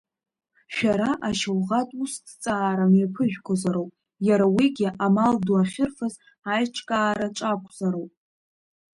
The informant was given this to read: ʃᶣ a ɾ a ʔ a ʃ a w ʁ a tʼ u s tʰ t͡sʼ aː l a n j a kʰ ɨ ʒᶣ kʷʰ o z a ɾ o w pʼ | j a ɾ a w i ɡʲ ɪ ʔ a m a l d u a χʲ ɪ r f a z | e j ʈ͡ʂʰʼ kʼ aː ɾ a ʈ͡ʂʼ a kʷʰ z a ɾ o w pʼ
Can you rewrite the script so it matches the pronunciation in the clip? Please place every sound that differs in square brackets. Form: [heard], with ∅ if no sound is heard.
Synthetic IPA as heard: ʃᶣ a ɾ a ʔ a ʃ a w ʁ a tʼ u s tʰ t͡sʼ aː [ɾ] a [m] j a [pʰ] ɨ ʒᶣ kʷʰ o z a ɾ o w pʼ | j a ɾ a w i ɡʲ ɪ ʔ a m a l d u a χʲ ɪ r f a z | [a] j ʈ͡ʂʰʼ kʼ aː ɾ a ʈ͡ʂʼ a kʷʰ z a ɾ o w pʼ